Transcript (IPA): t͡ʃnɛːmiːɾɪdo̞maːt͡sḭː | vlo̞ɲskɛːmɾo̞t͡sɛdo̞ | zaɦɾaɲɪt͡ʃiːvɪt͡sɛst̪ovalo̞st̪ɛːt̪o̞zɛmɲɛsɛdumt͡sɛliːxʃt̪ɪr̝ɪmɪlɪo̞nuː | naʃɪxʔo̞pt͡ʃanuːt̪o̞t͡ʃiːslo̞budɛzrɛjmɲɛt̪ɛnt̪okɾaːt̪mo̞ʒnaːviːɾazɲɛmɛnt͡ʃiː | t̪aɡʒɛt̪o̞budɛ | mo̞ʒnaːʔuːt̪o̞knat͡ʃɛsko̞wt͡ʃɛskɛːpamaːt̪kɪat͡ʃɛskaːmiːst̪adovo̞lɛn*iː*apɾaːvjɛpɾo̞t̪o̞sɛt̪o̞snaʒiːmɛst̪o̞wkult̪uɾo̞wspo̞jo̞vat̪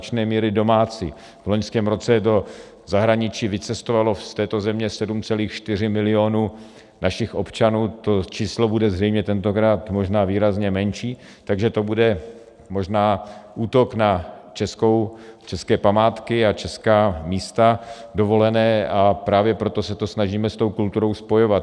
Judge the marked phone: incorrect: ɛː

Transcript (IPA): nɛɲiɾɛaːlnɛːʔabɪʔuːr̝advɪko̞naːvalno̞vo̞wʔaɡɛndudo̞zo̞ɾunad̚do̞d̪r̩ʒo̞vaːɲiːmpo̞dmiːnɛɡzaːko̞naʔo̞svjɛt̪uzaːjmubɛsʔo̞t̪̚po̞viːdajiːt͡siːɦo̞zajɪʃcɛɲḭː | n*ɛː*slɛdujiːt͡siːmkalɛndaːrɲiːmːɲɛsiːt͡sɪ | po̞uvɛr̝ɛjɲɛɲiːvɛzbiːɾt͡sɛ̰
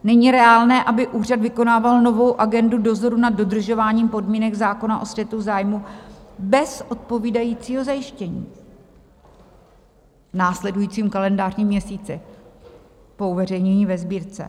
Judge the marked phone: incorrect: aː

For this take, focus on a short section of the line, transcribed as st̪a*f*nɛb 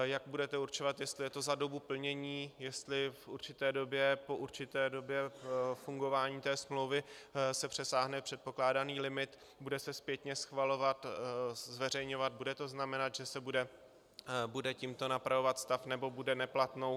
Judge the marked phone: correct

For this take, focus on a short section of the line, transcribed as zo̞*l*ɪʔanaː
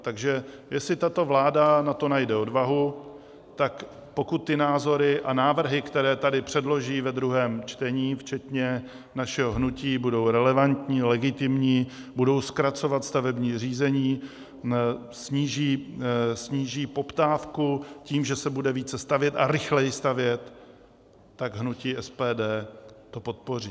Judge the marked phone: incorrect: ɾ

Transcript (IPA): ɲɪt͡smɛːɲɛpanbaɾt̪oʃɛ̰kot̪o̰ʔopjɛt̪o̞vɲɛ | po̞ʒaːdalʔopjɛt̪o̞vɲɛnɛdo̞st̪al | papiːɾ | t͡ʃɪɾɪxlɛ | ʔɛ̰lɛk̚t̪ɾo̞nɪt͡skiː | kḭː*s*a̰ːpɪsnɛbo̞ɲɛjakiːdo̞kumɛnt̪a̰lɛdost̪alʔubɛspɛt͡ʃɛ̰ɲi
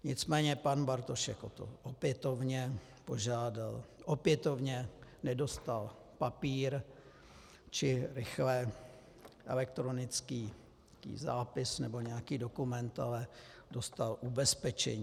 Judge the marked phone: incorrect: z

